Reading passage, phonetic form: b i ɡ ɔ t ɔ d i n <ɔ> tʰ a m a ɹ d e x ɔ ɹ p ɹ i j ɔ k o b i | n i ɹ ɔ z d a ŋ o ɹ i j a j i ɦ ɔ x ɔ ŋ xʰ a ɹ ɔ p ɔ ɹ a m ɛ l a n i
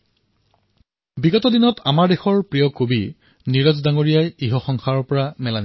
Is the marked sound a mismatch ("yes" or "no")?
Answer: no